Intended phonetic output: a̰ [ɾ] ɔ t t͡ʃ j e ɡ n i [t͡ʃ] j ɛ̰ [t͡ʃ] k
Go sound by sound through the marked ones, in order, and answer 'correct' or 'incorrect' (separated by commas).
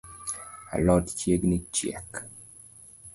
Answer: incorrect, correct, incorrect